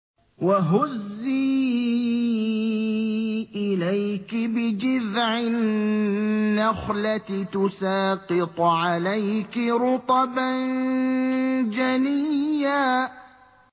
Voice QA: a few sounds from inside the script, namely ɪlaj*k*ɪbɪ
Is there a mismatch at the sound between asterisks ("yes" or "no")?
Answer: no